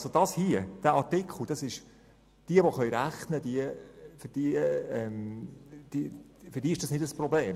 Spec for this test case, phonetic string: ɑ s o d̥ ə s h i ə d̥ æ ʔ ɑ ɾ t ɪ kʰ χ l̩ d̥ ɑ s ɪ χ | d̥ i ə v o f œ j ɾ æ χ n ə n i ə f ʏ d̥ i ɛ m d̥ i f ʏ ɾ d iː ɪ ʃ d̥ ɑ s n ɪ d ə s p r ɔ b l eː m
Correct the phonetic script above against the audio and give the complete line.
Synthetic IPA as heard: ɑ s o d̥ ɑ s h i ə d̥ æ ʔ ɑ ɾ t ɪ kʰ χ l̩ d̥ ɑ s ɪ ʃ | d̥ i ə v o χ œ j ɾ æ χ n ə d i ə f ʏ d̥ i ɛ m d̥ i f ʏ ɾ d iː ɪ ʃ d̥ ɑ s n ɪ d ə s p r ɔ b l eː m